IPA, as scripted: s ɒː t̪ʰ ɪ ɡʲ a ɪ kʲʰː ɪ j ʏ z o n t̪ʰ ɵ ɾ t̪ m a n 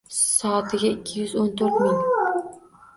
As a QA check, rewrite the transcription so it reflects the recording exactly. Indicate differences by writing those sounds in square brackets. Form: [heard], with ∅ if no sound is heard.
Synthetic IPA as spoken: s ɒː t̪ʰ ɪ ɡʲ a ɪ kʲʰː ɪ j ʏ z o n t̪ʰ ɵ ɾ t̪ m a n